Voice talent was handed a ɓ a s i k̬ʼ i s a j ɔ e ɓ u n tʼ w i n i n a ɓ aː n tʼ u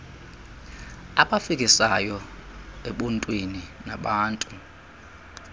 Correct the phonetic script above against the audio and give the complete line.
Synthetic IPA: a ɓ a f i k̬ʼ i s a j ɔ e ɓ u n tʼ w i n i n a ɓ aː n tʼ u